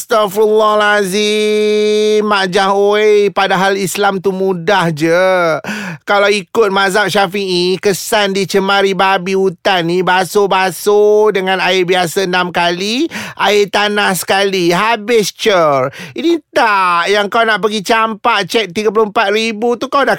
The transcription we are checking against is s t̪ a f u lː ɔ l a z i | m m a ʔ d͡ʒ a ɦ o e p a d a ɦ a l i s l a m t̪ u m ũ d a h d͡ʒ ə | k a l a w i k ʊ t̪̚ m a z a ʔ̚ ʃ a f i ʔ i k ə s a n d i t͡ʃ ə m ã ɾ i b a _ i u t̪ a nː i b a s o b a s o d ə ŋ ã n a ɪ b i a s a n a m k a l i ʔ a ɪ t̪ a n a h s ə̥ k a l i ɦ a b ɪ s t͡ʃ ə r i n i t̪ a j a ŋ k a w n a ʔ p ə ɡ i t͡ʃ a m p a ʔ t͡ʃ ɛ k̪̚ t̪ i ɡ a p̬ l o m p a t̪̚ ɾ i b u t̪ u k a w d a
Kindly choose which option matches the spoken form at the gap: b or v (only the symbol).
b